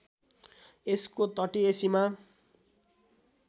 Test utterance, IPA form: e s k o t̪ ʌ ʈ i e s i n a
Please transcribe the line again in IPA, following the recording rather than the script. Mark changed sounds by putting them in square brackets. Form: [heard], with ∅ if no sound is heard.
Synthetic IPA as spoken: e s k o t̪ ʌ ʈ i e s i [m] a